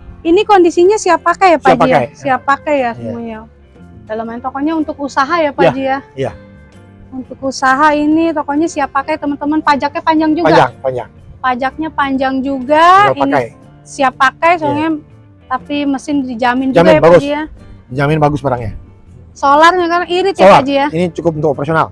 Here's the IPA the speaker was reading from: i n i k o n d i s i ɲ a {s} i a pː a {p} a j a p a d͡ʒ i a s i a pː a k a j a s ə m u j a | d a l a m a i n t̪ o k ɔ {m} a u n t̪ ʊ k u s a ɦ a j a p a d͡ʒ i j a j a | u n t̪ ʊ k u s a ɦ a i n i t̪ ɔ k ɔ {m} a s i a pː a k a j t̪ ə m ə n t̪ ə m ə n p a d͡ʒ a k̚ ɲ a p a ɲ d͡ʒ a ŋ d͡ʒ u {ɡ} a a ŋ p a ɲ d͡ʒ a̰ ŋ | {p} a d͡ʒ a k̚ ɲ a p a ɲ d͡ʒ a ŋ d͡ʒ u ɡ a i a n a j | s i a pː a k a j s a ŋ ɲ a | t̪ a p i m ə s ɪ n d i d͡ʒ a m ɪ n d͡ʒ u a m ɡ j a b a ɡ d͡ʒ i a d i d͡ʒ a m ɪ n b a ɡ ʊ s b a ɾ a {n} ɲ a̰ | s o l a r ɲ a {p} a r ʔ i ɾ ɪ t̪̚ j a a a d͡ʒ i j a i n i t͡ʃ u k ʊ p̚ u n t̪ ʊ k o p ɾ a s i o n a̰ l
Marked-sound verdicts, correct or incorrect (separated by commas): correct, incorrect, incorrect, incorrect, correct, correct, incorrect, incorrect